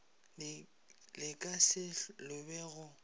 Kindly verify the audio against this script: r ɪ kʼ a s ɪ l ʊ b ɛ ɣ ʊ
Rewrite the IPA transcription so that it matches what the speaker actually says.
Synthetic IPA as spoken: l ɪ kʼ a s ɪ l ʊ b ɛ ɣ ʊ